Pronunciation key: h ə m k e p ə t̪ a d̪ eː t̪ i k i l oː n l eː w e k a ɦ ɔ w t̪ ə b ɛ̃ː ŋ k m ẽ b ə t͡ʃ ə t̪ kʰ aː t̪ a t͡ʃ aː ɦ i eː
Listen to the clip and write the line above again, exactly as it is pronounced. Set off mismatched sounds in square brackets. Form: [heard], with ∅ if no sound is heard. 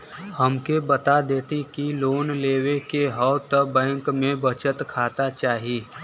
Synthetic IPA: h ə m k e [b] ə t̪ a d̪ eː t̪ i k i l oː n l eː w e k [e] ɦ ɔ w t̪ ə b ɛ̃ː ŋ k m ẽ b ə t͡ʃ ə t̪ kʰ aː t̪ a t͡ʃ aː ɦ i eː